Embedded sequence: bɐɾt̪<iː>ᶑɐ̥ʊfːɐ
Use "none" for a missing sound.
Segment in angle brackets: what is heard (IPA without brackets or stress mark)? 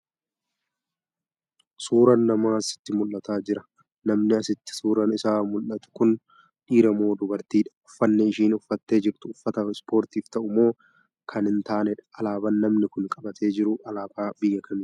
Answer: iː